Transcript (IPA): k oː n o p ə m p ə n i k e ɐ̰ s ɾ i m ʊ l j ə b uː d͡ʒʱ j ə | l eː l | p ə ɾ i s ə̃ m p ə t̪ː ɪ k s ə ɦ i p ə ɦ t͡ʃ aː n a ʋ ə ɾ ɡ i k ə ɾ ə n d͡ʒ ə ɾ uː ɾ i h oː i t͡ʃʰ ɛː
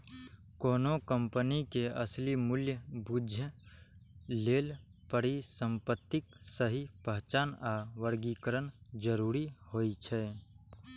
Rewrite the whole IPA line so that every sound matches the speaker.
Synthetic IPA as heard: k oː n o k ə m p ə n i k e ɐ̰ s l i m ʊ l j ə b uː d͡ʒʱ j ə | l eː l | p ə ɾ i s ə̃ m p ə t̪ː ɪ k s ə ɦ i p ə ɦ t͡ʃ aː n a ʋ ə ɾ ɡ i k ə ɾ ə n d͡ʒ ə ɾ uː ɾ i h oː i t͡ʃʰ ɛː